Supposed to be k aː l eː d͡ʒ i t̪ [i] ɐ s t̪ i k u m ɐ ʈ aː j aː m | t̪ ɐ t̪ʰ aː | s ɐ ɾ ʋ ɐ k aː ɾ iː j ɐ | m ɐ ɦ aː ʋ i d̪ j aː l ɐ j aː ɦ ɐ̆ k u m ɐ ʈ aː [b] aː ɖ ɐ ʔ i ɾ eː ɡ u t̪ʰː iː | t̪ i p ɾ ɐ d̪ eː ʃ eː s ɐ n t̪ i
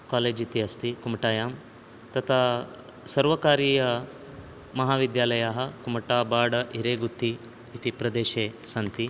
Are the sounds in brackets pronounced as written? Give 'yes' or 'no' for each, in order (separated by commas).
yes, yes